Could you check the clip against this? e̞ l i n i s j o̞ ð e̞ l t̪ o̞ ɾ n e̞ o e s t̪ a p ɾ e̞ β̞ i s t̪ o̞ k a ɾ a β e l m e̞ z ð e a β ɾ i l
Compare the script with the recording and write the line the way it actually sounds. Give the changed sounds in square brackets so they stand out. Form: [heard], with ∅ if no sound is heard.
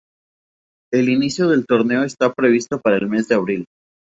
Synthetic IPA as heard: e̞ l i n i s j o̞ ð e̞ l t̪ o̞ ɾ n e̞ o e s t̪ a p ɾ e̞ β̞ i s t̪ o̞ [p] a ɾ a [∅] e l m e̞ z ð e a β ɾ i l

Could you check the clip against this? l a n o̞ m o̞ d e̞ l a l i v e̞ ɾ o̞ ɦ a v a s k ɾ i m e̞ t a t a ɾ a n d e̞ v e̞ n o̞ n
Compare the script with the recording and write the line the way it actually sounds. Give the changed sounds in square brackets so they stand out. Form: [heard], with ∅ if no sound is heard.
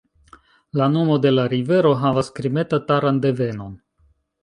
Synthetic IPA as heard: l a n o̞ m o̞ d e̞ l a [ɾ] i v e̞ ɾ o̞ ɦ a v a s k ɾ i m e̞ t a t a ɾ a n d e̞ v e̞ n o̞ n

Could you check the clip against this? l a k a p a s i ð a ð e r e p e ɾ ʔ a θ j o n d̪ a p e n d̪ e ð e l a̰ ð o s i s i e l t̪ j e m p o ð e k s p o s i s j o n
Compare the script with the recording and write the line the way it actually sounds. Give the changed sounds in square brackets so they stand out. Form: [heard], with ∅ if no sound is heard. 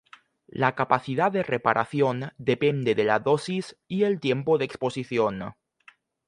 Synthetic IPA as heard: l a k a p a [θ] i ð a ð e r e p [a] ɾ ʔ a θ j o n d̪ [e] p e n d̪ e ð e l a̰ ð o s i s i e l t̪ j e m p o ð e k s p o s i [θ] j o n

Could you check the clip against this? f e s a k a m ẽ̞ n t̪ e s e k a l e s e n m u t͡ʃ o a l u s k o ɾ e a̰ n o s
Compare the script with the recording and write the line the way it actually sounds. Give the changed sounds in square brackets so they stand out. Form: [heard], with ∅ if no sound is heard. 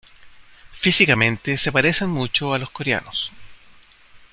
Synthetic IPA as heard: f [i] s [i] k a m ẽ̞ n t̪ e s e [p] a [ɾ] e s e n m u t͡ʃ o a l [o] s k o ɾ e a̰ n o s

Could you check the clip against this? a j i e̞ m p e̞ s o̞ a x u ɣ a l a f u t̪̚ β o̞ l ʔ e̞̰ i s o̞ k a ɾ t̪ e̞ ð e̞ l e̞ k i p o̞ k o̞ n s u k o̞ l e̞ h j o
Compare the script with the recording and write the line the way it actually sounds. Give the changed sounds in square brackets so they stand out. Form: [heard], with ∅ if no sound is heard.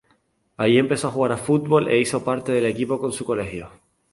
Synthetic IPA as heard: a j i e̞ m p e̞ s o̞ a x u ɣ a [ɾ] a f u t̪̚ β o̞ l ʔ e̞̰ i s o̞ [p] a ɾ t̪ e̞ ð e̞ l e̞ k i p o̞ k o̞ n s u k o̞ l e̞ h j o

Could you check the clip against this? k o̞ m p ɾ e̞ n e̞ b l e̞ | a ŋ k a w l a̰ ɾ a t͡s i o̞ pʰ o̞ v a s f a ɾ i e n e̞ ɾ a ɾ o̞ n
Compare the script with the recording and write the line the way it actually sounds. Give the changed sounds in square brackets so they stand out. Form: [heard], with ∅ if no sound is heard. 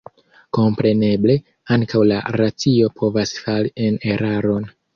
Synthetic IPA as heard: k o̞ m p ɾ e̞ n e̞ b l e̞ | a ŋ k a w l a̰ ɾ a t͡s i o̞ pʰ o̞ v a s f a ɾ i e n e̞ ɾ a ɾ o̞ n

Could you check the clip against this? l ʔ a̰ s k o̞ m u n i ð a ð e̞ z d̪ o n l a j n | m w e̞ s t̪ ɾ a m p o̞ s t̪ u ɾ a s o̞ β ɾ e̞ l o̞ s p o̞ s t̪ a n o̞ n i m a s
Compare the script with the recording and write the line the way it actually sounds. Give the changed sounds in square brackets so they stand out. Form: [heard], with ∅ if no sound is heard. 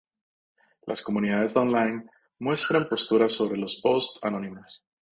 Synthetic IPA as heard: l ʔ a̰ s k o̞ m u n i ð a ð e̞ z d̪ o n l a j n | m w e̞ s t̪ ɾ a m p o̞ s t̪ u ɾ a s o̞ β ɾ e̞ l o̞ s p o̞ s t̪ a n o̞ n i m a s

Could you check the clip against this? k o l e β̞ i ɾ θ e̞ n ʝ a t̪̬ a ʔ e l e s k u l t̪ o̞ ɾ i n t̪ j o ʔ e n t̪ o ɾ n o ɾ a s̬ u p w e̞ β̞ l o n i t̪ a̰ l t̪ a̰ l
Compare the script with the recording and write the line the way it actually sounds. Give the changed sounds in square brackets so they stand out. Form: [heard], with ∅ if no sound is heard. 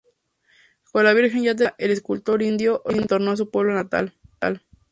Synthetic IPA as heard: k o l [a] β̞ i ɾ [x] e̞ n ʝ a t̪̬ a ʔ e l e s k u l t̪ o̞ ɾ i n [d̪] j o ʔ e n t̪ o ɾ n o [∅] a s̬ u p w e̞ β̞ l o n [a] t̪ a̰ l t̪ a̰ l

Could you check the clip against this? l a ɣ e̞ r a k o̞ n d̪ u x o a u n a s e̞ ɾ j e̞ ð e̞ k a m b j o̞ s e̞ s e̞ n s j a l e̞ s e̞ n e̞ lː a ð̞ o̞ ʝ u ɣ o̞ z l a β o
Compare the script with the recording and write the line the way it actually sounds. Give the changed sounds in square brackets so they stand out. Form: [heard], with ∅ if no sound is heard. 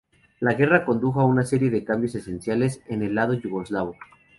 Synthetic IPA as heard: l a ɣ e̞ r a k o̞ n d̪ u x o a u n a s e̞ ɾ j e̞ ð e̞ k a m b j o̞ s e̞ s e̞ n s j a l e̞ s e̞ n e̞ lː a ð̞ o̞ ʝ u ɣ o̞ z l a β o

